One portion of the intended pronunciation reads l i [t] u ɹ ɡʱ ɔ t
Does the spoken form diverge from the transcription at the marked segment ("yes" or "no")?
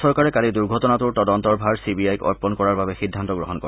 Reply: yes